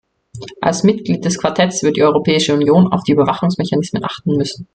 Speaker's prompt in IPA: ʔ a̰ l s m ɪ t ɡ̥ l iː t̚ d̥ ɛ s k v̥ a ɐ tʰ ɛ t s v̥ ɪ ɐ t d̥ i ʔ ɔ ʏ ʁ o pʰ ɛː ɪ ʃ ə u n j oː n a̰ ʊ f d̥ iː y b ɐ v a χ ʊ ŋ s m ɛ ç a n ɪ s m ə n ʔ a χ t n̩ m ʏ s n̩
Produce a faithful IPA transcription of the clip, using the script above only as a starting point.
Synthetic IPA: ʔ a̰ l s m ɪ t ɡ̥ l iː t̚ d̥ ɛ s k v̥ a ɐ tʰ ɛ t s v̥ ɪ ɐ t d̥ i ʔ ɔ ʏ ʁ o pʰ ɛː ɪ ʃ ə u n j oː n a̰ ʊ f d̥ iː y b ɐ v a χ ʊ ŋ s m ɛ ç a n ɪ s m ə n ʔ a χ t n̩ m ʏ s n̩